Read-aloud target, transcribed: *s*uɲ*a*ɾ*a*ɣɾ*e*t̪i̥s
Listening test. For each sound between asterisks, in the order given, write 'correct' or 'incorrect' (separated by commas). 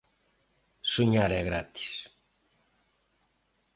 correct, correct, incorrect, incorrect